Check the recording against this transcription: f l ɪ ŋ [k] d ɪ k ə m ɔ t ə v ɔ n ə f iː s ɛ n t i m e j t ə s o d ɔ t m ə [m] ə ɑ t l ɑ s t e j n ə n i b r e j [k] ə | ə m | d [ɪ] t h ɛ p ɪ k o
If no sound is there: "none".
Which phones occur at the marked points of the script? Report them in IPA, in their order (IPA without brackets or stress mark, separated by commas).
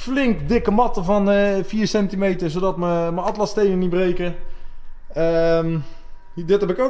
k, m, k, ɪ